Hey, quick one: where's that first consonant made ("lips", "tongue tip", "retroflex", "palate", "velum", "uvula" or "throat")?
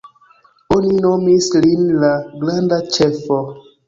tongue tip